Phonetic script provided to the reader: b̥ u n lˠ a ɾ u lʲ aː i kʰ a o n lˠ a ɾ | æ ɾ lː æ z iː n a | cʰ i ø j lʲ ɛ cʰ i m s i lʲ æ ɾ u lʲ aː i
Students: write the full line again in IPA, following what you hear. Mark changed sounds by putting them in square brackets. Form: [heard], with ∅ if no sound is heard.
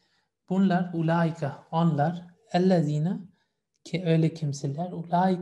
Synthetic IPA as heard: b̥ u n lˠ a ɾ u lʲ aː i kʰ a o n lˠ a ɾ | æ [∅] lː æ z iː n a | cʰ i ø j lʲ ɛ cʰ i m s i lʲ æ ɾ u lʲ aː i